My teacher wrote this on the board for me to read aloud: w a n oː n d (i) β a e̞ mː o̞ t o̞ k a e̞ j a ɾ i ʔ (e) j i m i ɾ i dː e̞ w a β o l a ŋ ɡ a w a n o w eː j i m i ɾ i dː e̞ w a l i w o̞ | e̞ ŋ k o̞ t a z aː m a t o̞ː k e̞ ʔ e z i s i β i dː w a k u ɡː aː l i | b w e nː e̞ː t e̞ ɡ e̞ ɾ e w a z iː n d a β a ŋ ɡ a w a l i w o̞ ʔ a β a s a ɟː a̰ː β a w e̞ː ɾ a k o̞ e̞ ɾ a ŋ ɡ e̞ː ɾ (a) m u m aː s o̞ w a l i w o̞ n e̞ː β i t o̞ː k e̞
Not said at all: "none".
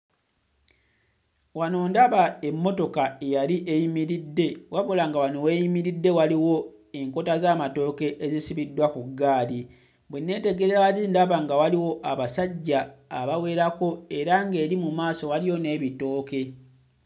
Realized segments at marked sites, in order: a, e, i

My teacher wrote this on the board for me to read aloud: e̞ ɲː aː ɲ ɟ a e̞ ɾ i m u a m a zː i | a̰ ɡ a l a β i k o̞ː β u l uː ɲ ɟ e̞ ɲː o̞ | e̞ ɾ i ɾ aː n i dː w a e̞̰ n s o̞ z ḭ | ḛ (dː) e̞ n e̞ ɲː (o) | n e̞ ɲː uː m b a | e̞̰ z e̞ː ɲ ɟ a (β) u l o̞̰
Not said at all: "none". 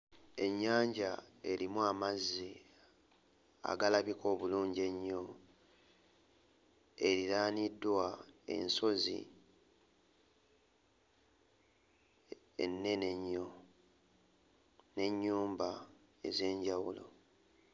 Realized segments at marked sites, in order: nː, o, w

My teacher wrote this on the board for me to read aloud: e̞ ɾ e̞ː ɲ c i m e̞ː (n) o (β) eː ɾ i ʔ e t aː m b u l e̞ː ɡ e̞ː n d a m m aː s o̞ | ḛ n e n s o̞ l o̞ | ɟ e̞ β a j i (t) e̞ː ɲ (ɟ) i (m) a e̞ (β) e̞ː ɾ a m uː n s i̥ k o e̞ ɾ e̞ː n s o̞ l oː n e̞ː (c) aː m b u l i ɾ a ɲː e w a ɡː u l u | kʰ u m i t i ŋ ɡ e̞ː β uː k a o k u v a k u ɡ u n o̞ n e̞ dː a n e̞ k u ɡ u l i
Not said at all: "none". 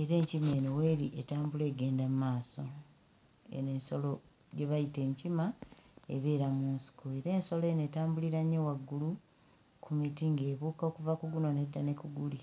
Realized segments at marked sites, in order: n, w, t, c, m, β, t

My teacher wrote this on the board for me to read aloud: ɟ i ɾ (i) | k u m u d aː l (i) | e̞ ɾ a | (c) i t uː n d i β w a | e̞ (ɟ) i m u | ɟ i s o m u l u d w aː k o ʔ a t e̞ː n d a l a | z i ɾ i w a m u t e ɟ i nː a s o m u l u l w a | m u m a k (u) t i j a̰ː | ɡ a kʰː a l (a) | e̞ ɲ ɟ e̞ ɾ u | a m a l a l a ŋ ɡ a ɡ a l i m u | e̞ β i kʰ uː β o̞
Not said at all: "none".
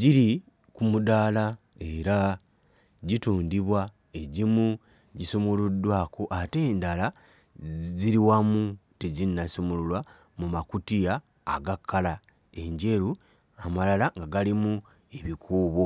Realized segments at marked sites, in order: i, a, ɟ, ɟ, u, a

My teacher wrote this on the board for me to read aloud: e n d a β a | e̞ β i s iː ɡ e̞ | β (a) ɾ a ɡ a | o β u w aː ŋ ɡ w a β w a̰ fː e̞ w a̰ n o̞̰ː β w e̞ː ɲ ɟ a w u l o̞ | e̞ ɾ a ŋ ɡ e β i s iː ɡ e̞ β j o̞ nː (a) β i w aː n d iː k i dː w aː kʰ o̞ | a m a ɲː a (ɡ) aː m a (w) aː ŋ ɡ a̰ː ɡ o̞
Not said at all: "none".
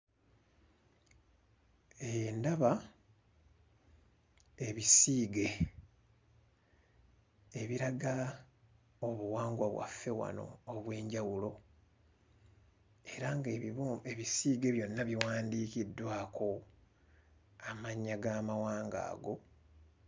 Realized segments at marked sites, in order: i, a, ɡ, w

